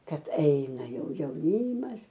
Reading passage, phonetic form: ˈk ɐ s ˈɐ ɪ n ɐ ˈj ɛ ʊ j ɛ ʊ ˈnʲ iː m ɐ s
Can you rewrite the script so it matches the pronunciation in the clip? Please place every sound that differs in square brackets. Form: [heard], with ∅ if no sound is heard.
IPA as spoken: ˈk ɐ [t] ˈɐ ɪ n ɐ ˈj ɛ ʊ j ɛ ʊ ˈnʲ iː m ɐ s